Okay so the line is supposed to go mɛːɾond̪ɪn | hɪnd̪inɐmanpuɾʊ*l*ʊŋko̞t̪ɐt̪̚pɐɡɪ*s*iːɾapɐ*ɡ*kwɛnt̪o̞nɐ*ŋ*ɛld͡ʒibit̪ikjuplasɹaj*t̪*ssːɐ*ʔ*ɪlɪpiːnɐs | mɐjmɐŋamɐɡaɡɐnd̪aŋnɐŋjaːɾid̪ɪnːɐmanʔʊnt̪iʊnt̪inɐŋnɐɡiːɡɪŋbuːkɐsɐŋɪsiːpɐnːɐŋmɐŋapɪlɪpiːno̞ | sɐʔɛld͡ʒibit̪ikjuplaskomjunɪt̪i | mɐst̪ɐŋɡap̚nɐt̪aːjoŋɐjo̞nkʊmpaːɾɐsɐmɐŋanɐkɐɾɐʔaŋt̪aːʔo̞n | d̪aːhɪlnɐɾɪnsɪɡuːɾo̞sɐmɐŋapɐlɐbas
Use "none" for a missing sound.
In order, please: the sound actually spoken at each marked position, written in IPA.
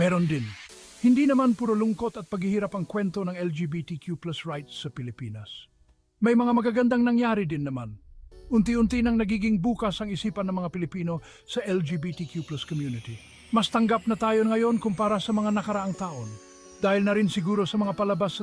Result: l, h, ŋ, ŋ, t̪, p

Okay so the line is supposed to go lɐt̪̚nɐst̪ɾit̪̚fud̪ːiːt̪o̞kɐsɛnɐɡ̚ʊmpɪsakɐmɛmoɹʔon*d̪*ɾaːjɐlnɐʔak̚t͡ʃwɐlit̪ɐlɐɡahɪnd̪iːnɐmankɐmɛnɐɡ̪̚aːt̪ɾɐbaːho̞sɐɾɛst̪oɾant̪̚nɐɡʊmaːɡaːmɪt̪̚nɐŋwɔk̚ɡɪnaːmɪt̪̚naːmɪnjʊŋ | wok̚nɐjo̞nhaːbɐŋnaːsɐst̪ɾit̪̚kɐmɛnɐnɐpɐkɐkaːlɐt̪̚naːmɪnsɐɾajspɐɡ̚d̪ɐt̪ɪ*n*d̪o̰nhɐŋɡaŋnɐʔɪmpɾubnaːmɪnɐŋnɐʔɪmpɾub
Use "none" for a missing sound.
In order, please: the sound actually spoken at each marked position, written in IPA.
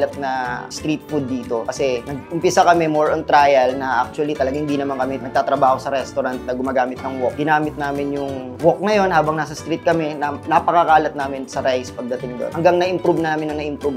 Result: t̪, ŋ

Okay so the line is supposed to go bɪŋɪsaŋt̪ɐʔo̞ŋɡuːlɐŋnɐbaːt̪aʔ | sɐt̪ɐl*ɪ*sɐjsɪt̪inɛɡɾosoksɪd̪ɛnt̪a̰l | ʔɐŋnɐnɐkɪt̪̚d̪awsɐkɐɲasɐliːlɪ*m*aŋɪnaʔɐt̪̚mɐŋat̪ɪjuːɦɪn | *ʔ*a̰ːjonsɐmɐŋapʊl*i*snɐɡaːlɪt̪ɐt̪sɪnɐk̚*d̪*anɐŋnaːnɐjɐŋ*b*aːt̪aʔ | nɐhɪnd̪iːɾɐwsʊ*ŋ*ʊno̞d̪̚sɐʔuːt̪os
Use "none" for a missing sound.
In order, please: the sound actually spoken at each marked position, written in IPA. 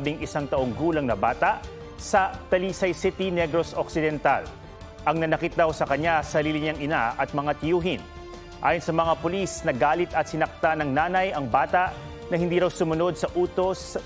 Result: i, ɲ, ʔ, i, t̪, b, m

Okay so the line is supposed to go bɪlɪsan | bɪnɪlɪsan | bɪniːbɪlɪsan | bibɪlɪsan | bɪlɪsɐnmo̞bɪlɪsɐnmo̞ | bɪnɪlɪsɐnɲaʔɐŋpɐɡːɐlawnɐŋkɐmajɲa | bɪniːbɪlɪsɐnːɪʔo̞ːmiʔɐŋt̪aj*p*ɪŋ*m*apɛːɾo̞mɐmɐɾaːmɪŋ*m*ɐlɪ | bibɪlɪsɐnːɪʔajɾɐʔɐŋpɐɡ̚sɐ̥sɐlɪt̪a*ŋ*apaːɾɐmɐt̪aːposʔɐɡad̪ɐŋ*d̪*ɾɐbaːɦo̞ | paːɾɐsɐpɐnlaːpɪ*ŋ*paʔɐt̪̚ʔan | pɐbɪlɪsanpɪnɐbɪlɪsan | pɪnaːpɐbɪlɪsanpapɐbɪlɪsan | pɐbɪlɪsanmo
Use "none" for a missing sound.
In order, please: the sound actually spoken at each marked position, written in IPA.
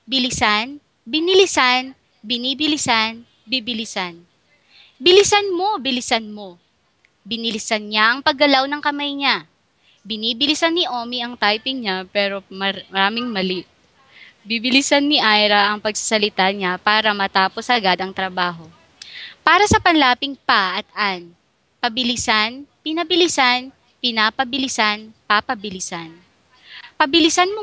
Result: p, ɲ, m, ɲ, t̪, ŋ

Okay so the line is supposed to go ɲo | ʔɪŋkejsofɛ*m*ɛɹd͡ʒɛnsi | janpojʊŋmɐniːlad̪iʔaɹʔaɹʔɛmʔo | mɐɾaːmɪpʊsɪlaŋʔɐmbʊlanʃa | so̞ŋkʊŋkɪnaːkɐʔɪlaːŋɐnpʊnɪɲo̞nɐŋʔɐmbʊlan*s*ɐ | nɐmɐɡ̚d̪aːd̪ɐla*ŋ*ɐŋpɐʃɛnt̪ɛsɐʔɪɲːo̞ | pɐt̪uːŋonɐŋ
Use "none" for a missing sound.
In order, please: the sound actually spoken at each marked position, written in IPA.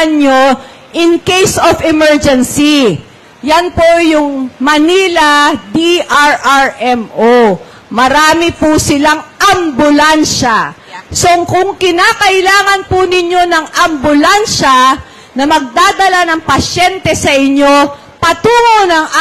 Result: m, ʃ, n

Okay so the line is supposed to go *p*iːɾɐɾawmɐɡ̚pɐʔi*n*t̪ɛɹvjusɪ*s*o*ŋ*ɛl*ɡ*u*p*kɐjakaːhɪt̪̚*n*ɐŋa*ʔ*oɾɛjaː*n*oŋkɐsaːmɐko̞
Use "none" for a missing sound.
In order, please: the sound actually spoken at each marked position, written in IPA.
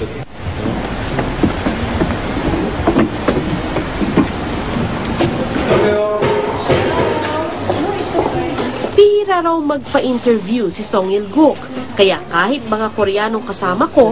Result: p, n, s, ŋ, ɡ, k, m, k, n

